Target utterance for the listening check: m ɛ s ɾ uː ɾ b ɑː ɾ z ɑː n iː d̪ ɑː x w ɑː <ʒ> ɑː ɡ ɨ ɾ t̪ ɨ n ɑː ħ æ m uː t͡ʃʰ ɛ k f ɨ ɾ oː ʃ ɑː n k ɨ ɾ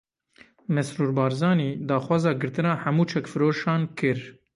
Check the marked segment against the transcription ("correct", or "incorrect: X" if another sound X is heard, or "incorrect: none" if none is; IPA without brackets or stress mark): incorrect: z